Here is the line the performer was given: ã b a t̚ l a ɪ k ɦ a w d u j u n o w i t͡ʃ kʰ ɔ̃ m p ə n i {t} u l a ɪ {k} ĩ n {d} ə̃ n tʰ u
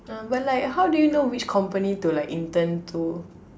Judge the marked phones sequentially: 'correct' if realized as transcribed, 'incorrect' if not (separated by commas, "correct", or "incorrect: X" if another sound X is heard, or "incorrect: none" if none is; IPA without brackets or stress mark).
correct, correct, incorrect: t